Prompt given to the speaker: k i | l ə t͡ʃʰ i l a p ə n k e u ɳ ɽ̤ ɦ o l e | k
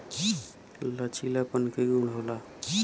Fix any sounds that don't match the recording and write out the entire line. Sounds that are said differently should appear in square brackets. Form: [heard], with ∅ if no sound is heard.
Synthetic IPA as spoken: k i | l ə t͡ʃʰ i l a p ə n k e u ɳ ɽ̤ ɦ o l [a] | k